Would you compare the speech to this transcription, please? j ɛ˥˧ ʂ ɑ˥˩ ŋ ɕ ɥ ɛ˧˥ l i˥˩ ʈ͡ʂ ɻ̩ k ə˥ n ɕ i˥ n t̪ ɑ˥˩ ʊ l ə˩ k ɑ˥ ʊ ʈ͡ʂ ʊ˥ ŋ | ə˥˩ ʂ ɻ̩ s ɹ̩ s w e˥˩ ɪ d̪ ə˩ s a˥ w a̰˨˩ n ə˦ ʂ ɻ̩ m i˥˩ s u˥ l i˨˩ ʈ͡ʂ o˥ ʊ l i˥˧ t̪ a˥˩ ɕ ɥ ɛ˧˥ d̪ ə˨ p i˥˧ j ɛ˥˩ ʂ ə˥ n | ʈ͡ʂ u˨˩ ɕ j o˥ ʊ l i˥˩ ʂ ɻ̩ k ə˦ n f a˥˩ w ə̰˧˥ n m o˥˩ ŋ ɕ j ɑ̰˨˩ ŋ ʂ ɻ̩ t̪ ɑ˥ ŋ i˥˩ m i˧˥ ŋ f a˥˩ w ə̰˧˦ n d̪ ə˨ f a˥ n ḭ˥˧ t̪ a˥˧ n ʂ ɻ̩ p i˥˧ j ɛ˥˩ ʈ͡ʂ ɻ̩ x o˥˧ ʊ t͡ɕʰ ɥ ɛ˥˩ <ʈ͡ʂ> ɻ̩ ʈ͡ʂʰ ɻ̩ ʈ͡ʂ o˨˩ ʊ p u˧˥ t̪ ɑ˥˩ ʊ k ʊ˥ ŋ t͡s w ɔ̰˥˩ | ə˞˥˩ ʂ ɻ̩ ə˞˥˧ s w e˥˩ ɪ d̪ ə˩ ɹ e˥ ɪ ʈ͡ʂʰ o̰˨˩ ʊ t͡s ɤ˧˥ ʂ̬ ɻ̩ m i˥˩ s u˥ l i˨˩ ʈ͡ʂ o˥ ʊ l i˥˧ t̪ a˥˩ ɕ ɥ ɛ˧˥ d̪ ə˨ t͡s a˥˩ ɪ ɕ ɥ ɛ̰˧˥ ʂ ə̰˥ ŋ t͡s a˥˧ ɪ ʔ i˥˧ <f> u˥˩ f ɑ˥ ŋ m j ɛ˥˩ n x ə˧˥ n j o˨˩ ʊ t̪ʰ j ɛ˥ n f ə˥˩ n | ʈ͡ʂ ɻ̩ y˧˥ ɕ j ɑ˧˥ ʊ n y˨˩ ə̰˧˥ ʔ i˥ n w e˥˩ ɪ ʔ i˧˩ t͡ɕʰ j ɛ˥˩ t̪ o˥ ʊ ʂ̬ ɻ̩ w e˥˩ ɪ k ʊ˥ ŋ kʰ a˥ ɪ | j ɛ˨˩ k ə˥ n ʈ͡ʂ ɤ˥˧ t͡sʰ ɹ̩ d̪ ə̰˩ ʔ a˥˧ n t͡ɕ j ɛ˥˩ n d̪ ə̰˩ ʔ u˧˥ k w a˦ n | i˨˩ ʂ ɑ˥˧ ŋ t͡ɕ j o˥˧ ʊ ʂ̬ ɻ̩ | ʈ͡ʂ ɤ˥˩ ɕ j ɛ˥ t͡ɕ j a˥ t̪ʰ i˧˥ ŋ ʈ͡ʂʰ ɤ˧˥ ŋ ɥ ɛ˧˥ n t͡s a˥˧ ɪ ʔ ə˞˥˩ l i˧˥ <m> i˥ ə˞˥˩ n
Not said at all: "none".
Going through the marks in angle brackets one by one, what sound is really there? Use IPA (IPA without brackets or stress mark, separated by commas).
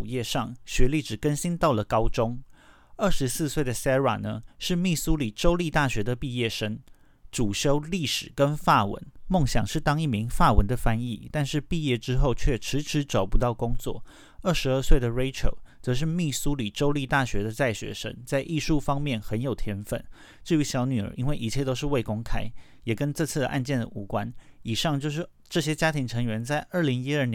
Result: ʈ͡ʂʰ, ʂ, ŋ